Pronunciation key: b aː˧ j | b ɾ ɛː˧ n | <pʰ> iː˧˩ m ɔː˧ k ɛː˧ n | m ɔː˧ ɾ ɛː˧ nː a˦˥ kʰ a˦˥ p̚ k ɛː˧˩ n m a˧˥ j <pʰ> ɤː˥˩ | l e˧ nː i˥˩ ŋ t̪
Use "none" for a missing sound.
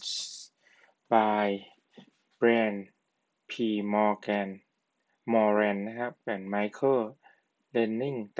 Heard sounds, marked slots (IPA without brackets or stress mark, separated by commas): pʰ, kʰ